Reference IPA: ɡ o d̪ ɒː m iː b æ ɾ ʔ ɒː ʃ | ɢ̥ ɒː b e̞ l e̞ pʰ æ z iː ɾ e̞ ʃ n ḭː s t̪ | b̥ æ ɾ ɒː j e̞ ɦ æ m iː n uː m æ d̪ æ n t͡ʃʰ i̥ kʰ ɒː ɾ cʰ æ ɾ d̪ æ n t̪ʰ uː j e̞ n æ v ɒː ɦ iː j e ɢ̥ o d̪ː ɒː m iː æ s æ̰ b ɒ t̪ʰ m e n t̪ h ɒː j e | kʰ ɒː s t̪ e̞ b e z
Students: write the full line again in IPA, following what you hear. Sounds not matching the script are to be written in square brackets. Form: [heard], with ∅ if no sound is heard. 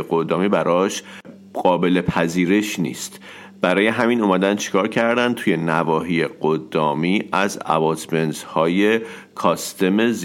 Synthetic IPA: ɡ o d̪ ɒː m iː b æ ɾ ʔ ɒː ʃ | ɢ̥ ɒː b e̞ l e̞ pʰ æ z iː ɾ e̞ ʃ n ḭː s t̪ | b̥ æ ɾ ɒː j e̞ ɦ æ m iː n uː m æ d̪ æ n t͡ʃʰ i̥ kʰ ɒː ɾ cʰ æ ɾ d̪ æ n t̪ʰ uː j e̞ n æ v ɒː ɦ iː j e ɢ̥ o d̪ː ɒː m iː æ [z] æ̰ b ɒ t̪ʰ m e n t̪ h ɒː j e | kʰ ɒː s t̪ e̞ [m] e z